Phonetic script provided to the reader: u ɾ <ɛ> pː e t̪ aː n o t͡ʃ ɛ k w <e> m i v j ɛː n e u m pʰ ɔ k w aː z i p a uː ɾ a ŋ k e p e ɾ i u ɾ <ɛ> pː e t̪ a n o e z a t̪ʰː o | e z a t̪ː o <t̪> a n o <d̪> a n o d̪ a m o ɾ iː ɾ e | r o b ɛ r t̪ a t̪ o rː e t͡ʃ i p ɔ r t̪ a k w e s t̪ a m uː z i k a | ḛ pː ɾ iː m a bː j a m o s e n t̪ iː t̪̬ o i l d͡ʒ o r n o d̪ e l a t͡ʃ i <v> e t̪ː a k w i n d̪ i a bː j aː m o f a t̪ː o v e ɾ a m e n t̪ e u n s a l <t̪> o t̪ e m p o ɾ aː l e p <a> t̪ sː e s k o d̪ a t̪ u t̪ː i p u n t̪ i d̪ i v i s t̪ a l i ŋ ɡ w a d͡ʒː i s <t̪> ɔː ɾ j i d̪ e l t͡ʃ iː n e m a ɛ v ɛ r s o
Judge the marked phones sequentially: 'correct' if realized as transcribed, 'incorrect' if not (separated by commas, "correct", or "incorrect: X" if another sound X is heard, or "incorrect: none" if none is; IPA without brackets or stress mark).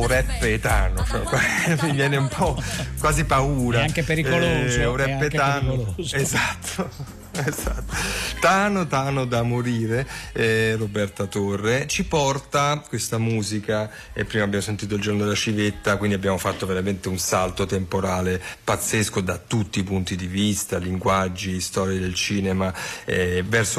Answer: correct, incorrect: a, correct, correct, incorrect: t̪, correct, correct, correct, correct